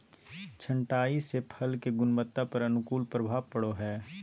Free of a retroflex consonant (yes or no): no